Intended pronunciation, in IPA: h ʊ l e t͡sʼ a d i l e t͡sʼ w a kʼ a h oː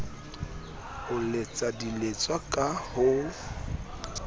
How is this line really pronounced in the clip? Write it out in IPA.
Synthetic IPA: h ʊ l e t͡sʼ a d i l e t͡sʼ w a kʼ a h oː